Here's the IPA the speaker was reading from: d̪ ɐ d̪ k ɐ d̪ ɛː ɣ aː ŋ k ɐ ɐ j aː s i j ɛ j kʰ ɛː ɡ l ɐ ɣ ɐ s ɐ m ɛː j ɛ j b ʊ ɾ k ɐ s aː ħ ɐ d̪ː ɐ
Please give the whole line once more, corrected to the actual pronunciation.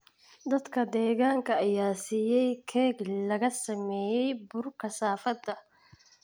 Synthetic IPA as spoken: d̪ ɐ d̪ k ɐ d̪ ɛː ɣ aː ŋ k ɐ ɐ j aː s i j ɛ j kʰ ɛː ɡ l ɐ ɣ ɐ s ɐ m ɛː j ɛ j b ʊ ɾ k ɐ s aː f ɐ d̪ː ɐ